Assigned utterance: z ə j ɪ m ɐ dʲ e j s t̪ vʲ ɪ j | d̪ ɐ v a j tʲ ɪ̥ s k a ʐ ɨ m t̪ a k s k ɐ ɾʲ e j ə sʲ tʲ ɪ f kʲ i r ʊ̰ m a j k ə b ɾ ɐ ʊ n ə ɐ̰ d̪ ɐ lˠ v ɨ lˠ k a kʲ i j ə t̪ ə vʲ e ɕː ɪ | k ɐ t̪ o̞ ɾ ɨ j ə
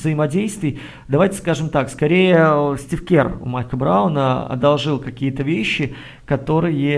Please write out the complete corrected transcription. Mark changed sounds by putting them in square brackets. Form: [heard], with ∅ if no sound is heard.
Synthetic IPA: z ə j ɪ m ɐ dʲ e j s t̪ vʲ ɪ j | d̪ ɐ v a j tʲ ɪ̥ s k a ʐ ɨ m t̪ a k s k ɐ ɾʲ e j ə sʲ tʲ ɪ f kʲ [e] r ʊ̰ m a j k ə b ɾ [a] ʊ n ə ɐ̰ d̪ ɐ lˠ [ʐ] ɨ lˠ k [ɐ] kʲ i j ə t̪ ə vʲ e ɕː ɪ | k ɐ t̪ o̞ ɾ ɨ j ə